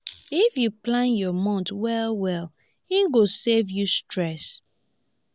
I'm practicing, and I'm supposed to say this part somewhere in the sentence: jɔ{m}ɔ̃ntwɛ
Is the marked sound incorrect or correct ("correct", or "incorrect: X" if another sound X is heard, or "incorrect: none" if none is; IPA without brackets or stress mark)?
correct